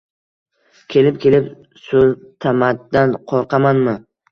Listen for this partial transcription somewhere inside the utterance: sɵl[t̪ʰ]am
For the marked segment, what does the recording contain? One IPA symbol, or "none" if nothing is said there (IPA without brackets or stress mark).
t̪ʰ